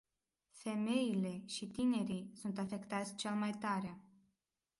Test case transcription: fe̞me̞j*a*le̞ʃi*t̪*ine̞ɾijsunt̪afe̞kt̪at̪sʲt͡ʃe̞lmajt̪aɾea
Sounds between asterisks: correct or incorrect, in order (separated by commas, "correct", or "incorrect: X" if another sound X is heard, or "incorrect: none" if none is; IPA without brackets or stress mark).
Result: incorrect: i, correct